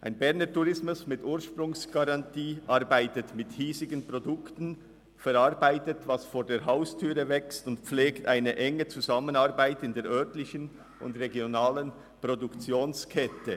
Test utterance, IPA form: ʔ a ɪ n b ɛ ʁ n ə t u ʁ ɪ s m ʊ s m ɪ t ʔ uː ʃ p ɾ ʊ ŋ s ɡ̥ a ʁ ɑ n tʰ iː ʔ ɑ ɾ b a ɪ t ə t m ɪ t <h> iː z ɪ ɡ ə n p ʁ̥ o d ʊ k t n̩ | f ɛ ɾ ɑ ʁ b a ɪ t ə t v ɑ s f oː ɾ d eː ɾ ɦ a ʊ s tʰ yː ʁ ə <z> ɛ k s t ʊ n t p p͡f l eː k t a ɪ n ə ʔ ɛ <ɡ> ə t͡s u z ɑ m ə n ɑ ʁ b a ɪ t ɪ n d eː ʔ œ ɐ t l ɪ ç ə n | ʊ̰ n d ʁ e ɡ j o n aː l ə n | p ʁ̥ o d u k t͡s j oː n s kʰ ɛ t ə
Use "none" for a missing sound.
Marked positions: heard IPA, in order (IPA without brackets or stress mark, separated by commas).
h, v, ŋ